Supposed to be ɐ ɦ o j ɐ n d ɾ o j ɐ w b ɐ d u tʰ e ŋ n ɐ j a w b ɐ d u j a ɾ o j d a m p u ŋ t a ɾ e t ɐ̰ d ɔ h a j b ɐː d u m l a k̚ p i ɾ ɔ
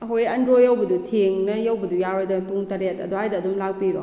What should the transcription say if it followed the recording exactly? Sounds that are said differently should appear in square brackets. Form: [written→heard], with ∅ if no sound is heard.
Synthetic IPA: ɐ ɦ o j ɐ n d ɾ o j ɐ w b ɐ d u tʰ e ŋ n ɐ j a w b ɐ d u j a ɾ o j d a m p u ŋ t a ɾ e t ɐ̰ d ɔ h a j [b→d] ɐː d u m l a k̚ p i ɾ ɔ